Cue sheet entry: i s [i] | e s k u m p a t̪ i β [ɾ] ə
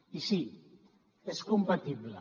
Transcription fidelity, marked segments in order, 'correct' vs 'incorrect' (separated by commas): correct, incorrect